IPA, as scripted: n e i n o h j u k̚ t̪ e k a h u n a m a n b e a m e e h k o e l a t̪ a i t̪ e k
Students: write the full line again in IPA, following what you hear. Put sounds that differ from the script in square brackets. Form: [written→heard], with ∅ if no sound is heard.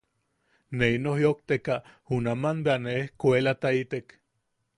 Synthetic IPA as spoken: n e i n o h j [u→o] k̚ t̪ e k a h u n a m a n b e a [m→n] e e h k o e l a t̪ a i t̪ e k